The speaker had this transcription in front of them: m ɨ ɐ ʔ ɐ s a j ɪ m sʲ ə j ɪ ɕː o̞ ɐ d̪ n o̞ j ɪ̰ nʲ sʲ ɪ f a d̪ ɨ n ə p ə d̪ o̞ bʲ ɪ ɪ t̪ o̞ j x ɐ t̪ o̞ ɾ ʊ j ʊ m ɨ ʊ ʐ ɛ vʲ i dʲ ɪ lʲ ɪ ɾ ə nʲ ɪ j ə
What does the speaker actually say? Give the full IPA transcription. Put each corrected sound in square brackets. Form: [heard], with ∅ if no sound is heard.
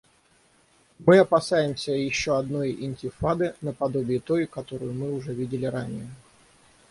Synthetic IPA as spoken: m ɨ ɐ [p] ɐ s a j ɪ m sʲ ə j ɪ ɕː o̞ ɐ d̪ n o̞ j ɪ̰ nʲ [tʲ] ɪ f a d̪ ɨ n ə p [ɐ] d̪ o̞ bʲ ɪ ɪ t̪ o̞ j [k] ɐ t̪ o̞ ɾ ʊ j ʊ m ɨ ʊ ʐ ɛ vʲ i dʲ ɪ lʲ ɪ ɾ [a] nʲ ɪ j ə

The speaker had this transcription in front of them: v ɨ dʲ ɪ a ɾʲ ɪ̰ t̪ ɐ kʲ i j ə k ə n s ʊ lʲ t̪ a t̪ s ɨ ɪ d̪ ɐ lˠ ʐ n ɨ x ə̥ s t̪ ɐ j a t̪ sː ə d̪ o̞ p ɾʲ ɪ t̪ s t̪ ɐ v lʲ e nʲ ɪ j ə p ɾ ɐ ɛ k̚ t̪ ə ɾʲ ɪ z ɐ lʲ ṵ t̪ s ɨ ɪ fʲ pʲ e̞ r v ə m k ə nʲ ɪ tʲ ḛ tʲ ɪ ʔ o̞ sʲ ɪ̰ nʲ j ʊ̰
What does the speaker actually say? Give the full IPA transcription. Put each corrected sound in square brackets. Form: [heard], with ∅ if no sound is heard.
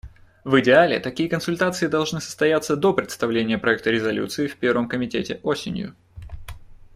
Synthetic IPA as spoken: v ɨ dʲ ɪ a [lʲ] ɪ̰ t̪ ɐ kʲ i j ə k ə n s ʊ lʲ t̪ a t̪ s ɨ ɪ d̪ ɐ lˠ ʐ n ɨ [s] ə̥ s t̪ ɐ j a t̪ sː ə d̪ o̞ p ɾʲ ɪ t̪ s t̪ ɐ v lʲ e nʲ ɪ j ə p ɾ ɐ ɛ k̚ t̪ ə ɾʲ ɪ z ɐ lʲ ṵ t̪ s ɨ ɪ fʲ pʲ e̞ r v ə m k ə [mʲ] ɪ tʲ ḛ tʲ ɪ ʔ o̞ sʲ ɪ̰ nʲ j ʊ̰

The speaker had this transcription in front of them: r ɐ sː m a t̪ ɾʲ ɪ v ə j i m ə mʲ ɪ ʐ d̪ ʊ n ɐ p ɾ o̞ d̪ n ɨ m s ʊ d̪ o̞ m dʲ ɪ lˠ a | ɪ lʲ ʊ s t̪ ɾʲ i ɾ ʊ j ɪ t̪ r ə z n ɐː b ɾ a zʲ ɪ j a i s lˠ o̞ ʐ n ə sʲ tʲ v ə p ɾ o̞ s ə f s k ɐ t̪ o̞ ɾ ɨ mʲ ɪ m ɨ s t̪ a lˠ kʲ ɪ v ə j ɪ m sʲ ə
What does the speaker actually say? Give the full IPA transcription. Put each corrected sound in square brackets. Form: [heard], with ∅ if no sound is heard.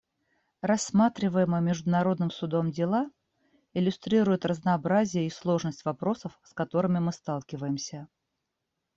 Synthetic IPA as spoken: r ɐ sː m a t̪ ɾʲ ɪ v ə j [ɪ] m ə mʲ ɪ ʐ d̪ ʊ n ɐ [∅] ɾ o̞ d̪ n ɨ m s ʊ d̪ o̞ m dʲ ɪ lˠ a | ɪ lʲ ʊ s t̪ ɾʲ i ɾ ʊ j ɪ t̪ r ə z n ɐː b ɾ a zʲ ɪ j [ə] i s lˠ o̞ ʐ n ə sʲ tʲ v [ɐ] p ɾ o̞ s ə f s k ɐ t̪ o̞ ɾ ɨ mʲ ɪ m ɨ s t̪ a lˠ kʲ ɪ v ə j ɪ m sʲ ə

